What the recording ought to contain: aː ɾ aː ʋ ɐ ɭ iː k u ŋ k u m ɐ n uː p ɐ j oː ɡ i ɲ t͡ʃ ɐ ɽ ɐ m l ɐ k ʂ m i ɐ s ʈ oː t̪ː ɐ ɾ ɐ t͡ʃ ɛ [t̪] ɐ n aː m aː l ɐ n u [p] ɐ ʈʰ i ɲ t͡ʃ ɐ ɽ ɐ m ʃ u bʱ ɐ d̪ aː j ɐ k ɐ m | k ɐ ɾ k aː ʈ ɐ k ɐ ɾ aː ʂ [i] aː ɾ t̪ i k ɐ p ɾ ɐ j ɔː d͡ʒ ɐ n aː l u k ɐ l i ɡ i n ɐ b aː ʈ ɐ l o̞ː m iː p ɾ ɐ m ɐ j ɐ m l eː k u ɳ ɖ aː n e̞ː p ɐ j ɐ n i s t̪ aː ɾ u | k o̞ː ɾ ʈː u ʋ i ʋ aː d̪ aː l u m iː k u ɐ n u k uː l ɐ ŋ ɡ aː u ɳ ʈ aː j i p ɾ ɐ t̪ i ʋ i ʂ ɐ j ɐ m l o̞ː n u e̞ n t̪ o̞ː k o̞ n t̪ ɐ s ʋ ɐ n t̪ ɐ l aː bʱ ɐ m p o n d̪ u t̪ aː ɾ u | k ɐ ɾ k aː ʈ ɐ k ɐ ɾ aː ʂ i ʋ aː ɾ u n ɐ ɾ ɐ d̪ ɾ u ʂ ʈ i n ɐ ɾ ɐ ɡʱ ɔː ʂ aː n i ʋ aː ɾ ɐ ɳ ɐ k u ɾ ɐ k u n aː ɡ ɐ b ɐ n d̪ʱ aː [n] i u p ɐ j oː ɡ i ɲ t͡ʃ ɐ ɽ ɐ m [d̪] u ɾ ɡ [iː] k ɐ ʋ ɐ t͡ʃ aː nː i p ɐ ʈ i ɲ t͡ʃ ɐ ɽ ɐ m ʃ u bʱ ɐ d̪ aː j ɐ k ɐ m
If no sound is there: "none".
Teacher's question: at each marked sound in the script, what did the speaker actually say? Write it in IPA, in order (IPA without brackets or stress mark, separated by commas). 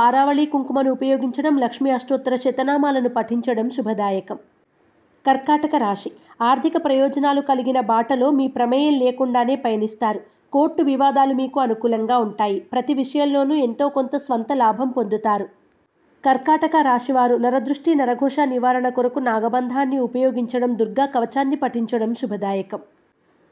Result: t̪, p, i, nː, d̪, aː